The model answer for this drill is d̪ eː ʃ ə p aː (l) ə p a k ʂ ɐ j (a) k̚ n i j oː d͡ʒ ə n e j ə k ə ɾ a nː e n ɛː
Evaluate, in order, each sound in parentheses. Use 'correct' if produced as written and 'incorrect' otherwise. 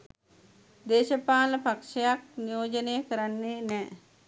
correct, correct

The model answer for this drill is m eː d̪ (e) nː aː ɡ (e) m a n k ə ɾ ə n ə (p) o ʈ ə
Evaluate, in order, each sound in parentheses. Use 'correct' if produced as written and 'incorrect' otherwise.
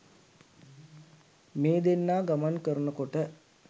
correct, incorrect: a, incorrect: k

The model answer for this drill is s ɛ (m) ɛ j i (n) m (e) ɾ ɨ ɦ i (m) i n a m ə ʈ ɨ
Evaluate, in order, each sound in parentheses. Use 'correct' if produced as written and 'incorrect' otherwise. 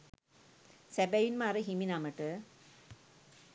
incorrect: b, correct, incorrect: a, correct

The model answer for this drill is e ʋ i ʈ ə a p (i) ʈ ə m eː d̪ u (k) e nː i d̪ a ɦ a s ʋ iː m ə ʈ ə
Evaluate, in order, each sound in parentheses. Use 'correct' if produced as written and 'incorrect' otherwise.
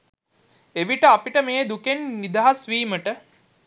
correct, correct

